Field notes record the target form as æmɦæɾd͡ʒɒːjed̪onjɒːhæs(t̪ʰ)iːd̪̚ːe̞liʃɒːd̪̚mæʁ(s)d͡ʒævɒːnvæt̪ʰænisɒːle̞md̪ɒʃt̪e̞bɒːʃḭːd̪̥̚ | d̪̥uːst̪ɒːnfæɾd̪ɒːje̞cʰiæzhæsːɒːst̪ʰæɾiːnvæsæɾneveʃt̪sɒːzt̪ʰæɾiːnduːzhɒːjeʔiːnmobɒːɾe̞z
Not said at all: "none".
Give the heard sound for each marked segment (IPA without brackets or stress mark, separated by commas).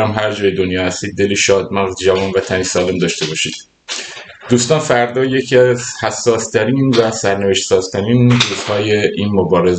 t̪, z